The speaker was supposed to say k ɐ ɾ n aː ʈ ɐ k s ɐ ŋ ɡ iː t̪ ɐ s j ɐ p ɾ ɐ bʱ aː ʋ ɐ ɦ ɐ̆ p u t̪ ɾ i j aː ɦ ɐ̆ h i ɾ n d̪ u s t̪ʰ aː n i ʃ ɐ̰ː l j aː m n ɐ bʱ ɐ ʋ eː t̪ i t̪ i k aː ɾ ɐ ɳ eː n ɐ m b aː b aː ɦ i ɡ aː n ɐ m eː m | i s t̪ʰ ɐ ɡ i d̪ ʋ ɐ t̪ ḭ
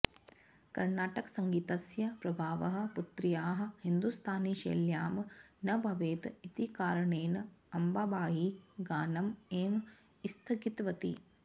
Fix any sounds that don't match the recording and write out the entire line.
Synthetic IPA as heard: k ɐ ɾ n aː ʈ ɐ k s ɐ ŋ ɡ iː t̪ ɐ s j ɐ p ɾ ɐ bʱ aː ʋ ɐ ɦ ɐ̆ p u t̪ ɾ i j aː ɦ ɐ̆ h i n d̪ u s t̪ʰ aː n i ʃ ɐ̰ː l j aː m n ɐ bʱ ɐ ʋ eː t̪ i t̪ i k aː ɾ ɐ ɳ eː n ɐ m b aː b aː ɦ i ɡ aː n ɐ m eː m | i s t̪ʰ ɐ ɡ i t̪ ʋ ɐ t̪ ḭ